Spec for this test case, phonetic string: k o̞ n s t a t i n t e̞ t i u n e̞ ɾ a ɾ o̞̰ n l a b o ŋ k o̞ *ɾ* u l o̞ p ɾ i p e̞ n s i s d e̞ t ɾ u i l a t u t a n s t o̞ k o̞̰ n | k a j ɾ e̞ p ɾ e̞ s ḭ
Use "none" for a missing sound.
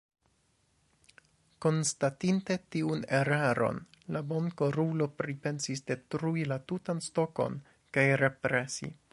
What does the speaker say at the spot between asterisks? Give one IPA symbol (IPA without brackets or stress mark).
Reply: ɾ